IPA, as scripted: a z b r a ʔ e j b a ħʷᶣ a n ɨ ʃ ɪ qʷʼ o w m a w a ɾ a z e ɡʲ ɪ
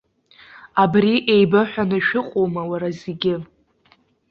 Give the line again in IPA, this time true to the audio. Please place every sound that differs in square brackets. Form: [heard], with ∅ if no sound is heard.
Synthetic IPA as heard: a [∅] b r [i] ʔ e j b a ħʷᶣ a n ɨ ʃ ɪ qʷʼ o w m a w a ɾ a z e ɡʲ ɪ